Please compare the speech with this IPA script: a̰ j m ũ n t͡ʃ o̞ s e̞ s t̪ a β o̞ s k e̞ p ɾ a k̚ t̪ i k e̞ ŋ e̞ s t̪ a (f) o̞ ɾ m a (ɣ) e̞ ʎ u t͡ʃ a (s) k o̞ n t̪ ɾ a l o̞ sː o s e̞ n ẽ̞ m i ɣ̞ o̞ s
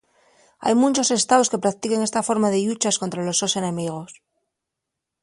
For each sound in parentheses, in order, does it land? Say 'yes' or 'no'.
yes, no, yes

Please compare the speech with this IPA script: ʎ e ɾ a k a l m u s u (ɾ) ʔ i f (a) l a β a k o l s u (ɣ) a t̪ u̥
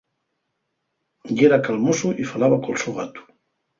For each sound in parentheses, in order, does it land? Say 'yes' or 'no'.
no, yes, yes

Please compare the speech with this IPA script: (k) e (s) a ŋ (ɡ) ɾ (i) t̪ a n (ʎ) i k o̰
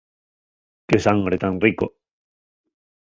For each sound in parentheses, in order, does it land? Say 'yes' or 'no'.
yes, yes, yes, no, no

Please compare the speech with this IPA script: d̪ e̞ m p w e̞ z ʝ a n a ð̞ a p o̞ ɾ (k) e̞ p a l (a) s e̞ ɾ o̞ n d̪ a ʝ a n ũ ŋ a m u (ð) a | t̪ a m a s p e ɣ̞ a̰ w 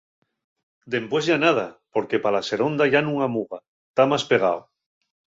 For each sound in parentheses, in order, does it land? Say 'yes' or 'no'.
yes, yes, no

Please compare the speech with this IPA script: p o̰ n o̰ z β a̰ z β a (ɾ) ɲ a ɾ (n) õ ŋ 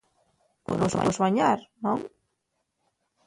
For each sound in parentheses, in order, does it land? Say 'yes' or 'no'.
no, yes

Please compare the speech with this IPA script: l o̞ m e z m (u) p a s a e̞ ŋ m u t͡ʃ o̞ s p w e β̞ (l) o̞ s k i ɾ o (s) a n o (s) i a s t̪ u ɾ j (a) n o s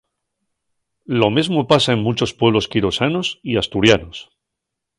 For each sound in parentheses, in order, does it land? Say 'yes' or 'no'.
no, yes, yes, yes, yes

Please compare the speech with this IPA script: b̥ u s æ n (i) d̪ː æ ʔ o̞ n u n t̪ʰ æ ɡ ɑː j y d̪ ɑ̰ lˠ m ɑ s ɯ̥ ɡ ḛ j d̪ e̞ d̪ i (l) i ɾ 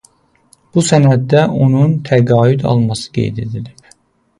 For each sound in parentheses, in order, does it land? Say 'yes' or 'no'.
no, yes

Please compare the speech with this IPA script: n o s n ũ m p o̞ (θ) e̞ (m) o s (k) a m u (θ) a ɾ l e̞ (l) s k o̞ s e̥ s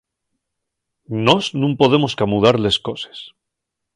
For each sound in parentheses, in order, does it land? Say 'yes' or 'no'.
no, yes, yes, no, no

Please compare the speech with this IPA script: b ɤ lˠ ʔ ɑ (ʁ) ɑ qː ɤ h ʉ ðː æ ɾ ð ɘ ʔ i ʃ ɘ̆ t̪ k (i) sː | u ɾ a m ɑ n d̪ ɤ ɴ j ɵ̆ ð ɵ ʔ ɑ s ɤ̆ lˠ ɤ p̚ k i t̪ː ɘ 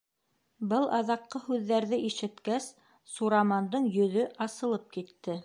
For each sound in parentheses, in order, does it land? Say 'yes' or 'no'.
no, no

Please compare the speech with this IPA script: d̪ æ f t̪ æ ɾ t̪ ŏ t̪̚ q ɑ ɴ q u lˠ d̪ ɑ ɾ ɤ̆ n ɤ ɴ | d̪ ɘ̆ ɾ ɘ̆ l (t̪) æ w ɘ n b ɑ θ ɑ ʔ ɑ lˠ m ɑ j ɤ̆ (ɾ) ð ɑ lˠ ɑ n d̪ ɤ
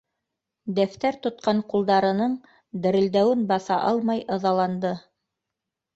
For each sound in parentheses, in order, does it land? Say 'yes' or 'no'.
no, no

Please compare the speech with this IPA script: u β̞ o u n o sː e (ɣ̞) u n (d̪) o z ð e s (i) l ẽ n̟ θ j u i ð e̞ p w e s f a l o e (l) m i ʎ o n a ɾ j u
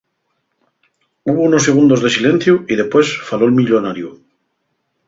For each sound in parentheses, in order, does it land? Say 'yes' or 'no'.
yes, yes, yes, yes

